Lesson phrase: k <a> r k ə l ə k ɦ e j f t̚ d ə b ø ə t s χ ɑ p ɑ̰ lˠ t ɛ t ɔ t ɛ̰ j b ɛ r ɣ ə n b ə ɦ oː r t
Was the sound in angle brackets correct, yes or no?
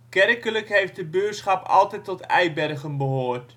no